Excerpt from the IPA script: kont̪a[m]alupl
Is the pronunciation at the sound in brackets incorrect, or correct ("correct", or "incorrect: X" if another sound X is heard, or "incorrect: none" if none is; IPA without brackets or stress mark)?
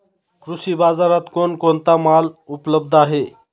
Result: correct